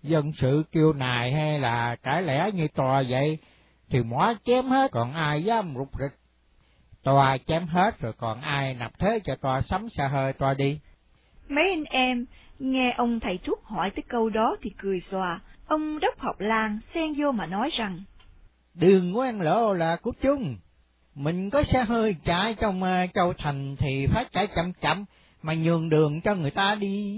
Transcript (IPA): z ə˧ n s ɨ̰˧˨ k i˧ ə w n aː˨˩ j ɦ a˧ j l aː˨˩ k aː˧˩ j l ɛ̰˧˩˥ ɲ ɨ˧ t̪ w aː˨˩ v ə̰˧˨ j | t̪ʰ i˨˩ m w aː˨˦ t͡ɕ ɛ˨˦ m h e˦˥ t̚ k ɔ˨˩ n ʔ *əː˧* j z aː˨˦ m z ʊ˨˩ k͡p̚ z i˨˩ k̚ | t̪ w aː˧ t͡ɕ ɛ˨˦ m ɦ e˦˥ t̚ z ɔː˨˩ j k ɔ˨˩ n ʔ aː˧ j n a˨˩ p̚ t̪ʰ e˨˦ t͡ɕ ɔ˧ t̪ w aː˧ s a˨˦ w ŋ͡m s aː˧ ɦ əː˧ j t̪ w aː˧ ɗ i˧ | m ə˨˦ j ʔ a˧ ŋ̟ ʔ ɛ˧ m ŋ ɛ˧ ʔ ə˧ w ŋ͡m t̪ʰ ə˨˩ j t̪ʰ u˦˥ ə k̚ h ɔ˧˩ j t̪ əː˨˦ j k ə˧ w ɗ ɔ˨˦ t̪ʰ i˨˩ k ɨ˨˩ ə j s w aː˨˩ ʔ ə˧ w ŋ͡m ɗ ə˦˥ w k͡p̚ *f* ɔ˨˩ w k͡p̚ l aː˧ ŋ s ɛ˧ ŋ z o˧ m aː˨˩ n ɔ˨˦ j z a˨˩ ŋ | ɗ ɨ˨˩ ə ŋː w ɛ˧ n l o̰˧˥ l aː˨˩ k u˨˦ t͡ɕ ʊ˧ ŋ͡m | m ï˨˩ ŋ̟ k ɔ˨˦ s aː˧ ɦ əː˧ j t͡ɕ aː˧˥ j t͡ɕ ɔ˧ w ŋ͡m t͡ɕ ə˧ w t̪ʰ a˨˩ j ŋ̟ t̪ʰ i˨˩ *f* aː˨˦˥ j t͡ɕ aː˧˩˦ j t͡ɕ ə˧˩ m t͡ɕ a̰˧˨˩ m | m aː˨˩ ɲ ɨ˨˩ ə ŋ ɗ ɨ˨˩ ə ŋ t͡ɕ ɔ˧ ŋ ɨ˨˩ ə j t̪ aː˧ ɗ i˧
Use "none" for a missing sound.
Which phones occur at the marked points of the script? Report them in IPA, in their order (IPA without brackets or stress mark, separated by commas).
aː˧, h, f